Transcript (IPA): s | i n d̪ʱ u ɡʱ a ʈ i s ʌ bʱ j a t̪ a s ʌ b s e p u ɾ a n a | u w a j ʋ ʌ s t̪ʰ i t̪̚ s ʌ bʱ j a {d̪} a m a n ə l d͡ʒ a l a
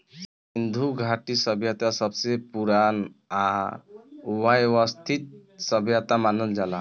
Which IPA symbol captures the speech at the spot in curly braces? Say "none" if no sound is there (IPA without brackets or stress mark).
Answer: t̪